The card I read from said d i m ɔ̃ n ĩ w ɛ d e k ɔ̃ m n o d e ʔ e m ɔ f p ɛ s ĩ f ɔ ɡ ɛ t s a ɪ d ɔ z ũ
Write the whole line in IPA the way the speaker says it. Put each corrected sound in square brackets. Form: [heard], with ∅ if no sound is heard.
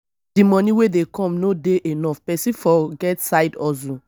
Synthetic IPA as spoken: d i m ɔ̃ n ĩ w [e] d e k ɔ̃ m n o d e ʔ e [n] ɔ f p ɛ s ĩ f ɔ ɡ ɛ t s a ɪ d ɔ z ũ